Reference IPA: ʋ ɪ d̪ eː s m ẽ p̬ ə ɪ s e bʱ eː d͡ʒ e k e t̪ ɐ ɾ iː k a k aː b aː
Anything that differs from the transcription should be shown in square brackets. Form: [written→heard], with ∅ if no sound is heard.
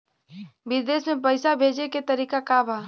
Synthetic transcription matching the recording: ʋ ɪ d̪ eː s m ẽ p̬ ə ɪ s [e→a] bʱ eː d͡ʒ e k e t̪ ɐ ɾ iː k a k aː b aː

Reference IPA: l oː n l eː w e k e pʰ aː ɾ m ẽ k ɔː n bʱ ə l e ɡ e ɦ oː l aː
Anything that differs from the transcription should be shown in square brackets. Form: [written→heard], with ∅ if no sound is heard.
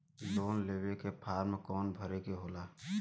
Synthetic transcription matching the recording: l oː n l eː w e k e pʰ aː ɾ m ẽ k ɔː n bʱ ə [l→ɾ] e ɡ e ɦ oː l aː

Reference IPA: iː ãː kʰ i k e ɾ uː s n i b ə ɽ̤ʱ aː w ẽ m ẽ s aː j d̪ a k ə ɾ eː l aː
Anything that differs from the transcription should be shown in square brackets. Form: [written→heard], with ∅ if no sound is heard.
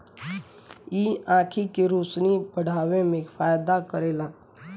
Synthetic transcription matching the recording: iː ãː kʰ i k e ɾ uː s n i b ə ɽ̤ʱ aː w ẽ m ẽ [s→f] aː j d̪ a k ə ɾ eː l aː

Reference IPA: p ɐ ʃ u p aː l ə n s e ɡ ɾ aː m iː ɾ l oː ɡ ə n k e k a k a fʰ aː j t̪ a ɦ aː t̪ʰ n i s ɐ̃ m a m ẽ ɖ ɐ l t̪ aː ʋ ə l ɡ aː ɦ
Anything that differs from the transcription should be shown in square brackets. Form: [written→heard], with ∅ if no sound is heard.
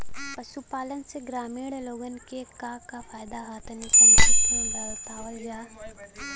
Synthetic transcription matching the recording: p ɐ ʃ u p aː l ə n s e ɡ ɾ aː m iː [ɾ→ɽ] l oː ɡ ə n k e k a k a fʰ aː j [t̪→d̪] a ɦ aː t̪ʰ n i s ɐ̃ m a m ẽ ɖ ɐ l t̪ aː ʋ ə l ɡ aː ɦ

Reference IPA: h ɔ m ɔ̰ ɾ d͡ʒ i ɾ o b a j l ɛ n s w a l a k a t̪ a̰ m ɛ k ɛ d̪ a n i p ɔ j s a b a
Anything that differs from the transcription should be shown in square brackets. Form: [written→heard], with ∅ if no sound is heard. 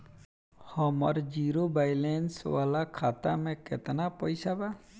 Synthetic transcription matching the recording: h ɔ m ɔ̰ ɾ d͡ʒ i ɾ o b a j l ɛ n s w a l a [k→kʰ] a t̪ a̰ m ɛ k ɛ [d̪→t̪] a n [i→a] p ɔ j s a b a

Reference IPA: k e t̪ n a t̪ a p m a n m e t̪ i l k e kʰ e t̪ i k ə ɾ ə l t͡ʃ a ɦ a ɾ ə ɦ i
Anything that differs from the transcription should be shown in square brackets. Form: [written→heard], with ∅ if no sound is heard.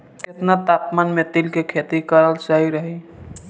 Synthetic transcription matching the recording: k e t̪ n a t̪ a p m a n m e t̪ i l k e kʰ e t̪ i k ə ɾ ə l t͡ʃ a ɦ [a→i] ɾ ə ɦ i

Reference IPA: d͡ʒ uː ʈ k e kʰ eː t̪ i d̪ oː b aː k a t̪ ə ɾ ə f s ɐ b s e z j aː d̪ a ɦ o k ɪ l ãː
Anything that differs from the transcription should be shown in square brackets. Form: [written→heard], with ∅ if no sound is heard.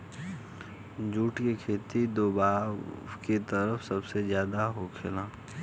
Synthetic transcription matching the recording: d͡ʒ uː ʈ k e kʰ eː t̪ i d̪ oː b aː k [a→e] t̪ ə ɾ ə f s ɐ b s e z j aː d̪ a ɦ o [k→kʰ] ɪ l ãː

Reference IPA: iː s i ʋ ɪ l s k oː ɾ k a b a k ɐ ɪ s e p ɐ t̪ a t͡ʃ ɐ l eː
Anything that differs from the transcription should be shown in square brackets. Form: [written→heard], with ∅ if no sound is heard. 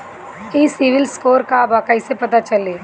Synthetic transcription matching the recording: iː s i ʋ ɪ l s k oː ɾ k a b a k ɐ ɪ s e p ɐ t̪ a t͡ʃ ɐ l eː

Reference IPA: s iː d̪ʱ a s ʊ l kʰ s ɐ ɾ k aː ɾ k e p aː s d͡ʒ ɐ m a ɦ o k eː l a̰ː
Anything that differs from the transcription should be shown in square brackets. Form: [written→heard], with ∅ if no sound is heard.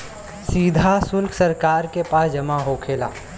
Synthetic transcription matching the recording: s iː d̪ʱ a s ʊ l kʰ s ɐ ɾ k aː ɾ k e p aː s d͡ʒ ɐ m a ɦ o [k→kʰ] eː l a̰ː

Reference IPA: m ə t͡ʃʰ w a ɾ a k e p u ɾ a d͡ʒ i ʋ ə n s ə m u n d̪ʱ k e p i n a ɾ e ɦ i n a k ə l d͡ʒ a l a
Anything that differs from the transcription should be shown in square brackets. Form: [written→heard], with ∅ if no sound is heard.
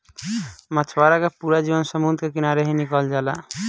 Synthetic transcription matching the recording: m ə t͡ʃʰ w a ɾ a k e p u ɾ a d͡ʒ i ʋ ə n s ə m u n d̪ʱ k e [p→k] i n a ɾ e ɦ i n [a→i] k ə l d͡ʒ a l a

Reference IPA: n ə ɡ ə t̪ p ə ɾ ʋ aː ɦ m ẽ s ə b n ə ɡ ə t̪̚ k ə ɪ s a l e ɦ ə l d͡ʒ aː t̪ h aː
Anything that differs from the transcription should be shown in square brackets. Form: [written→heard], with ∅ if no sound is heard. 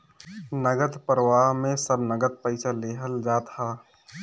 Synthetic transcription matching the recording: n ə ɡ ə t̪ p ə ɾ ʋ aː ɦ m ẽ s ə b n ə ɡ ə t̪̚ [k→p] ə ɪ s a l e ɦ ə l d͡ʒ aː t̪ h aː

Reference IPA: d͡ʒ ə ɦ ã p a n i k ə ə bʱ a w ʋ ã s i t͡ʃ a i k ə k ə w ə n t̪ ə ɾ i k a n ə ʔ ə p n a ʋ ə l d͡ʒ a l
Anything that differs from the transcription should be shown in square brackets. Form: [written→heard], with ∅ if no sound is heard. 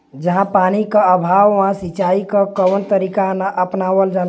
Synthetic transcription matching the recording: d͡ʒ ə ɦ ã p a n i k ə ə bʱ a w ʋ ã s i t͡ʃ a i k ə k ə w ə n t̪ ə ɾ i k a n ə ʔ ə p n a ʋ ə l d͡ʒ a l

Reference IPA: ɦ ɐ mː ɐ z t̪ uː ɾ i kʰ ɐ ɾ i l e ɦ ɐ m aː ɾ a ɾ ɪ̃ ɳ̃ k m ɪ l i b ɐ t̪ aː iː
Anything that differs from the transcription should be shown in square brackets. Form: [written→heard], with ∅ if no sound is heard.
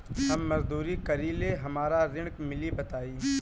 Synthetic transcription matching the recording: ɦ ɐ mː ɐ z [t̪→d̪] uː ɾ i [kʰ→k] ɐ ɾ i l e ɦ ɐ m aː ɾ a ɾ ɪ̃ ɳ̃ k m ɪ l i b ɐ t̪ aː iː

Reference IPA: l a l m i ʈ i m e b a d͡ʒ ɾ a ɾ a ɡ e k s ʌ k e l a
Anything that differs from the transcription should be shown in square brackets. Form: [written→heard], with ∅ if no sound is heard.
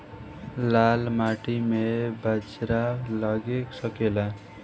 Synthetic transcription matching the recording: l a l m [i→a] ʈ i m e b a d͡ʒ ɾ a [ɾ→l] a ɡ e k s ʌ k e l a

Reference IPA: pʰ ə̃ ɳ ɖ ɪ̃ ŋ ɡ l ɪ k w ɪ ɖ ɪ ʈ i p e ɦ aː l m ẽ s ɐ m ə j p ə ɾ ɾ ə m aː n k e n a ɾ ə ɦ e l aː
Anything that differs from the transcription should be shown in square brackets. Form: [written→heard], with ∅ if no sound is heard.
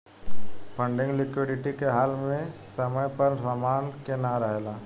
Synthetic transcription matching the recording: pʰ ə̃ ɳ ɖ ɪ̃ ŋ ɡ l ɪ k w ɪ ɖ ɪ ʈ i [p→k] e ɦ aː l m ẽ s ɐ m ə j p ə ɾ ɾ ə m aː n k e n a ɾ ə ɦ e l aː

